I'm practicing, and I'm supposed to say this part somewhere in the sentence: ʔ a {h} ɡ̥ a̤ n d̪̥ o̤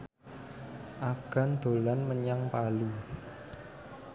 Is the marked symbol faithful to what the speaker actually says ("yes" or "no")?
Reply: no